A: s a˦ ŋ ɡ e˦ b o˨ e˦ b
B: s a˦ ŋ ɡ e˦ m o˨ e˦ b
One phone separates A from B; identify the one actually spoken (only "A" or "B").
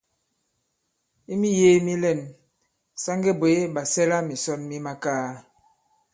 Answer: A